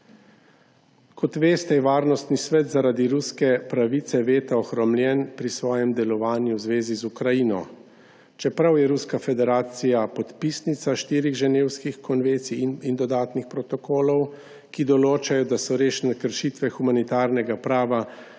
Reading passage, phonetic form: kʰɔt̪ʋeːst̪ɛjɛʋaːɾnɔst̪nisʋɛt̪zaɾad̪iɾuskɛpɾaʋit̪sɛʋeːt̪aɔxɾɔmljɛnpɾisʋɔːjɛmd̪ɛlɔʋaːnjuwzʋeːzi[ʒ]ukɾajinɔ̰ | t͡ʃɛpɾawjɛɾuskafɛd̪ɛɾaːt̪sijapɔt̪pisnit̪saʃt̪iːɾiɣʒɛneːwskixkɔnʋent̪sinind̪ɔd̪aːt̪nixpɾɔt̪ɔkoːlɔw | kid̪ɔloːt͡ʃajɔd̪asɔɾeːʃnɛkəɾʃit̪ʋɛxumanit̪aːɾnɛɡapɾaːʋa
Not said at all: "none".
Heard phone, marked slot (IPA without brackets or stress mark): z